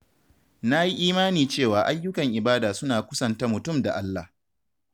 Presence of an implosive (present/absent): absent